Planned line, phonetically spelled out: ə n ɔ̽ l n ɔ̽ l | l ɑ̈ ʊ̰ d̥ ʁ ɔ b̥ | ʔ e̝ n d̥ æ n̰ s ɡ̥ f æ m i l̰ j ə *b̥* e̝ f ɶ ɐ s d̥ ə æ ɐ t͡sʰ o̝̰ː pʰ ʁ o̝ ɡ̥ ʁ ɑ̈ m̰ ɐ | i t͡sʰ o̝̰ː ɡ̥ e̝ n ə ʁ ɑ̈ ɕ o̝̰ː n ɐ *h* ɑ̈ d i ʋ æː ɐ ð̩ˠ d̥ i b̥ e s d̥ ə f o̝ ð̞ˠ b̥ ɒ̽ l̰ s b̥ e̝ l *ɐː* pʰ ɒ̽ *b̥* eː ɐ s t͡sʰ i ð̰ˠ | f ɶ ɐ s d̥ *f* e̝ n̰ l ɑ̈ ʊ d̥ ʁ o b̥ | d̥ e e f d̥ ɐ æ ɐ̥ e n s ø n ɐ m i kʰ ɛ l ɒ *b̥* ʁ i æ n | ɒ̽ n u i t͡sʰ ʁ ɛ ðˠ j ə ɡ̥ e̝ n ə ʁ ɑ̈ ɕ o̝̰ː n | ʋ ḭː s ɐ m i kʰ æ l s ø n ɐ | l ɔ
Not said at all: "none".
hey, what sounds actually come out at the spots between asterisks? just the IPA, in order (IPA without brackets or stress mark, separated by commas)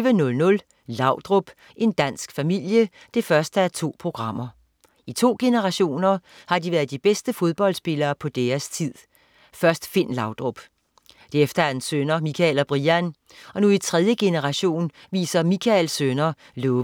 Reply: d̥, h, ɐː, d̥, f, b̥